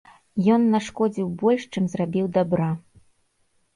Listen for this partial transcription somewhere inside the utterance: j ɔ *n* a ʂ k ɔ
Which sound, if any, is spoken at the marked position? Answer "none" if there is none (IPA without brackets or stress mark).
nː